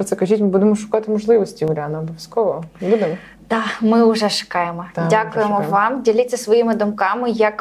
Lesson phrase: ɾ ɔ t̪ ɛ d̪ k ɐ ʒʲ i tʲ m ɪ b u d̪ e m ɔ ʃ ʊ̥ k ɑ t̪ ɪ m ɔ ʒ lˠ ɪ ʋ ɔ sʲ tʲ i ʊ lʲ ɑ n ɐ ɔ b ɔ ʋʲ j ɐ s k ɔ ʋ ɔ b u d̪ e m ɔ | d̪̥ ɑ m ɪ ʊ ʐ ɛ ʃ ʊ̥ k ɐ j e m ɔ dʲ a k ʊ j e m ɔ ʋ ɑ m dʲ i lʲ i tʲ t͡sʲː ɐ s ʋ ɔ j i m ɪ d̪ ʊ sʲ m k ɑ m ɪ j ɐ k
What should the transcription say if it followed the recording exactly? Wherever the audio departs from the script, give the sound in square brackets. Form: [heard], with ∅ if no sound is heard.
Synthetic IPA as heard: ɾ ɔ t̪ ɛ [∅] k ɐ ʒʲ i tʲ m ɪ b u d̪ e m ɔ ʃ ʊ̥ k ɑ t̪ ɪ m ɔ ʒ lˠ ɪ ʋ ɔ sʲ tʲ i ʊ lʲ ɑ n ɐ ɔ b ɔ ʋʲ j ɐ s k ɔ ʋ ɔ b u d̪ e m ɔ | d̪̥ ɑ m ɪ ʊ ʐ ɛ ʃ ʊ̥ k [ɑ] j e m ɔ dʲ a k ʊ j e m ɔ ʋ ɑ m dʲ i lʲ i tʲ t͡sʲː ɐ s ʋ ɔ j i m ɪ d̪ ʊ [∅] m k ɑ m ɪ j ɐ k